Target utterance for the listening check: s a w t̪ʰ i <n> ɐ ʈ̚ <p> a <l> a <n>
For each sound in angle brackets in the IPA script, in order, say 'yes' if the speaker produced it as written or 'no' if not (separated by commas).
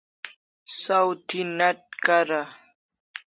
yes, no, no, no